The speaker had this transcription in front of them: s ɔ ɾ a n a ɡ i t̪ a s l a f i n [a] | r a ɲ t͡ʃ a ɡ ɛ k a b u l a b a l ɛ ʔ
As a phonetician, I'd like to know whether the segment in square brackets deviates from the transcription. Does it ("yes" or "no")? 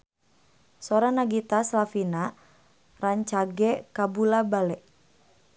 no